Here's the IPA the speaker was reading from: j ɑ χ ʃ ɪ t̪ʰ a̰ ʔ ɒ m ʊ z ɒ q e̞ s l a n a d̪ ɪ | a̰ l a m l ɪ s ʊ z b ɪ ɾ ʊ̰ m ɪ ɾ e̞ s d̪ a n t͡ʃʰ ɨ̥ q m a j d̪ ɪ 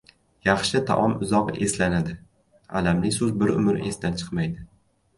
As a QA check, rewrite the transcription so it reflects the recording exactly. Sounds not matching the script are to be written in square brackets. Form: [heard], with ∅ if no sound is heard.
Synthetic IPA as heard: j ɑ χ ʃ ɪ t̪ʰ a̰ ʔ ɒ m ʊ z ɒ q e̞ s l a n a d̪ ɪ | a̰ l a m l ɪ s ʊ z b ɪ ɾ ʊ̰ m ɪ ɾ e̞ s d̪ a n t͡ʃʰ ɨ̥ q m a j d̪ ɪ